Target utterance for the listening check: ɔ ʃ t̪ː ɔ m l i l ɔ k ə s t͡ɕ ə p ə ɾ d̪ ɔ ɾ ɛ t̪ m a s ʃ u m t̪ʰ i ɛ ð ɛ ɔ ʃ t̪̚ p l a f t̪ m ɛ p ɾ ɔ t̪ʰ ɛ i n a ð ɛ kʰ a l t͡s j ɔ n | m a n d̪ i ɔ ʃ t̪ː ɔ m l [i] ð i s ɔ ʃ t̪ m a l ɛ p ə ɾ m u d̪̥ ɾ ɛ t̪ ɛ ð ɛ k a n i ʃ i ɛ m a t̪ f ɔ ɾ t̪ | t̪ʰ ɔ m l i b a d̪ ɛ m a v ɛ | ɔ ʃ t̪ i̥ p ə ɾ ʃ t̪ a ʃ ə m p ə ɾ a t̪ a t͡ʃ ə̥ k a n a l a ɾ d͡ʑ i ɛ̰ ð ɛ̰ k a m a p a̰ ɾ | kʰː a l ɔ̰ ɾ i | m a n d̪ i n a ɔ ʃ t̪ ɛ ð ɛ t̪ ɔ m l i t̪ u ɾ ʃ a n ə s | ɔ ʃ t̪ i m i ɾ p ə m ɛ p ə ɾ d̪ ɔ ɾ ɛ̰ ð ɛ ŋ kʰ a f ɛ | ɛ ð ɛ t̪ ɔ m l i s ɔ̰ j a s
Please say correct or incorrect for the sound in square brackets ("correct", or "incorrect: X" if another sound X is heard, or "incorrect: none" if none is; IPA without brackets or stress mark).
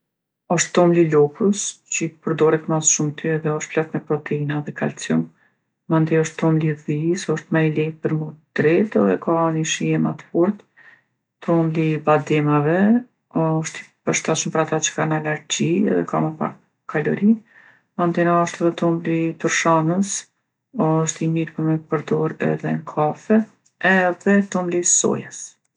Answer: correct